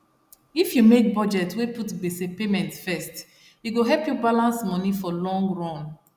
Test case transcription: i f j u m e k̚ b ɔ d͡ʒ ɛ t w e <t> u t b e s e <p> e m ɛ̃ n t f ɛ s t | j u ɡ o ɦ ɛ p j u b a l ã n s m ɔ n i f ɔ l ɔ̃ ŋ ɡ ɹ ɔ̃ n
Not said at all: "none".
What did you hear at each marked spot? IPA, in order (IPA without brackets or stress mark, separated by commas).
p, p